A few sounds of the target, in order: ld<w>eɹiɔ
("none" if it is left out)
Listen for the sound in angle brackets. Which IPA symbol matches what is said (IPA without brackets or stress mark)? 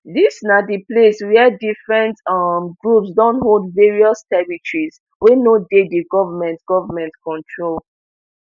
v